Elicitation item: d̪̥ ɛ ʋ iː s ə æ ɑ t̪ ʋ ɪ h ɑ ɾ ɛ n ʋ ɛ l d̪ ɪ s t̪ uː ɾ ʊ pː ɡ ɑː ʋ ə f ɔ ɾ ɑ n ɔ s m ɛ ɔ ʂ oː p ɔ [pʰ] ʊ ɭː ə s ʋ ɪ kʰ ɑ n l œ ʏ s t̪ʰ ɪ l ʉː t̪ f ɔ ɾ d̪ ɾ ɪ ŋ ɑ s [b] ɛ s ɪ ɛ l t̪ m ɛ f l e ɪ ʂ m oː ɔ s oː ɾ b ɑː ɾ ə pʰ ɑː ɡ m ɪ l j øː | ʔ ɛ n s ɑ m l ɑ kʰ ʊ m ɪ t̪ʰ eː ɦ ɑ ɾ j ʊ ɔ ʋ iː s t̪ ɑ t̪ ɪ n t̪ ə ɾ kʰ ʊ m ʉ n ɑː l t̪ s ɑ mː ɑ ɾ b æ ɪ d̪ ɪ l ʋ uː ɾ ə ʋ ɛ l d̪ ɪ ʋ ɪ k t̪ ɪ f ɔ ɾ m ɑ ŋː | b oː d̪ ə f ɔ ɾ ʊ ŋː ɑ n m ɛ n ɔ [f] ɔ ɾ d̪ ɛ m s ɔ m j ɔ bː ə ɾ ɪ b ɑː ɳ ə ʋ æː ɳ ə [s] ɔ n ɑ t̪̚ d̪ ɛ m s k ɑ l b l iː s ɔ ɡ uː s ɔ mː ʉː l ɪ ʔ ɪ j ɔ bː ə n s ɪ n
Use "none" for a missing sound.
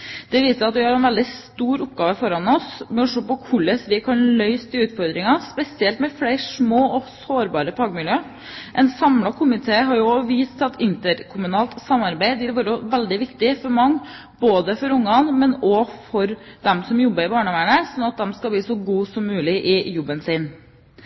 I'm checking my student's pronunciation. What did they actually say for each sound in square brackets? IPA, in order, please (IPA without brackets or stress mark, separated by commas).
kʰ, p, f, s